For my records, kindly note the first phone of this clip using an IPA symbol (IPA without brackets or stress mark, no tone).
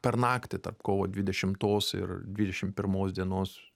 pʲ